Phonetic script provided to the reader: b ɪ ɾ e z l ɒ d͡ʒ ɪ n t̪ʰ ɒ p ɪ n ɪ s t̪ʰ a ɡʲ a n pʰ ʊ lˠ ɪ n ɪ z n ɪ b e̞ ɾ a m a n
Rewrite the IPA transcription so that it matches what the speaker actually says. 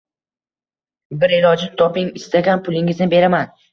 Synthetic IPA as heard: b ɪ ɾ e l ɒ d͡ʒ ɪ n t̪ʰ ɒ p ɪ ŋ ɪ s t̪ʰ a ɡʲ a n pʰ ʊ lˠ ɪ ŋ ɪ z n ɪ b e̞ ɾ a m a n